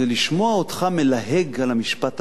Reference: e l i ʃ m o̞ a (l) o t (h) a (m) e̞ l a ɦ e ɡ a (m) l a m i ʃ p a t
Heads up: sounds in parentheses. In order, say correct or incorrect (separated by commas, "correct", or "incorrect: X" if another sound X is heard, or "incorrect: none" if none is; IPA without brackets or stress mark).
incorrect: none, incorrect: χ, correct, incorrect: none